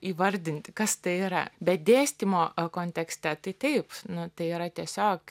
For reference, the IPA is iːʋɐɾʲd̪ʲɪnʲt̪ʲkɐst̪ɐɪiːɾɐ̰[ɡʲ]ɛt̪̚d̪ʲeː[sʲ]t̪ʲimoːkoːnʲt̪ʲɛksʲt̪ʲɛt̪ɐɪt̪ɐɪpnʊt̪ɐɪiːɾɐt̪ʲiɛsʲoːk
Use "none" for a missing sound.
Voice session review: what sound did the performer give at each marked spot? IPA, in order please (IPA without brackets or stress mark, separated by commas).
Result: bʲ, sʲ